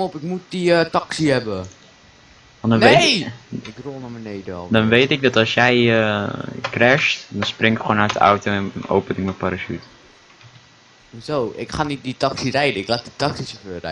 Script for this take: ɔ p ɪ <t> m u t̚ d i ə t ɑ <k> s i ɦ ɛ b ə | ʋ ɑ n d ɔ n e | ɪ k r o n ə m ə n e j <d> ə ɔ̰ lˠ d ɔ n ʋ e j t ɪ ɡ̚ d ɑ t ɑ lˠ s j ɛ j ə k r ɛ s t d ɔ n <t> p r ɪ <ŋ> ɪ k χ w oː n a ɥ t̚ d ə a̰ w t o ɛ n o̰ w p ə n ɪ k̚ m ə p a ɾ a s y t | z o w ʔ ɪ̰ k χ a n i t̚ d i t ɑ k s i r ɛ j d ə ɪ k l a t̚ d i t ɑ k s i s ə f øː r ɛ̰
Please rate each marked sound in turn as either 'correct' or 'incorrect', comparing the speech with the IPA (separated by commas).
incorrect, correct, correct, incorrect, correct